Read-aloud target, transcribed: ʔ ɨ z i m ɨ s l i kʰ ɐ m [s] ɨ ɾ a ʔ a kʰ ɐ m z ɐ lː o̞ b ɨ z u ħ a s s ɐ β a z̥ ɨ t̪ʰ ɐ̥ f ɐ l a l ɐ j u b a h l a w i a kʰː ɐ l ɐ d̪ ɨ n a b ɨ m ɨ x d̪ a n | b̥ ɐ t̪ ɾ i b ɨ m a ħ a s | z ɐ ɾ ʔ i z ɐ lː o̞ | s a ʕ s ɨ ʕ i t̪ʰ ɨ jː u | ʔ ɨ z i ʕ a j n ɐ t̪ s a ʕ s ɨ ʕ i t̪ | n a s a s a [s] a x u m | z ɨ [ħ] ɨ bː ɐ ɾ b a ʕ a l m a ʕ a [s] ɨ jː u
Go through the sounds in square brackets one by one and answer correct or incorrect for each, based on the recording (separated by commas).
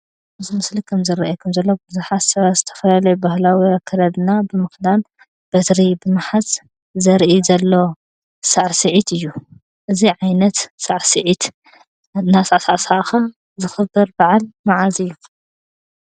incorrect, correct, incorrect, incorrect